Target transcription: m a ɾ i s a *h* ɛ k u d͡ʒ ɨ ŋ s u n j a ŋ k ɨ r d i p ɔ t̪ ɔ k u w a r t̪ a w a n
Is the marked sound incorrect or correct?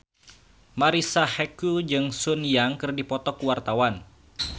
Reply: correct